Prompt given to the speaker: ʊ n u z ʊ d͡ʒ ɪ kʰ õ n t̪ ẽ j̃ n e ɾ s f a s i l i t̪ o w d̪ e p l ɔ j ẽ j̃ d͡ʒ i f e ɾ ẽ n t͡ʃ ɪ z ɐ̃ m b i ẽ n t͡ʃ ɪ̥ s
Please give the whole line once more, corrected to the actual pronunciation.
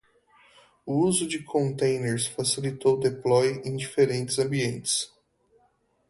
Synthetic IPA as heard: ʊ u z ʊ d͡ʒ ɪ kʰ õ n t̪ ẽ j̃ n e ɾ s f a s i l i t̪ o w d̪ e p l ɔ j ẽ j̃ d͡ʒ i f e ɾ ẽ n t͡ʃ ɪ z ɐ̃ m b i ẽ n t͡ʃ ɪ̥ s